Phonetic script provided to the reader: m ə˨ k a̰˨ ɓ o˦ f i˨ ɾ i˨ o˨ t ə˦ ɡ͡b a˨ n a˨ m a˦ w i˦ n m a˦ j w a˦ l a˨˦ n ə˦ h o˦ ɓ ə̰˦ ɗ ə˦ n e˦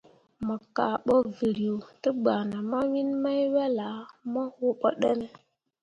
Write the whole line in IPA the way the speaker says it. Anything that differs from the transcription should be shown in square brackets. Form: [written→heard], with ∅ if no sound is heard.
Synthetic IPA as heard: m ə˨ k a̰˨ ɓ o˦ [f→v] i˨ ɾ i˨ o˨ t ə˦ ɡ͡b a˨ n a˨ m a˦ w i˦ n m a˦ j w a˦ l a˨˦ [n→m] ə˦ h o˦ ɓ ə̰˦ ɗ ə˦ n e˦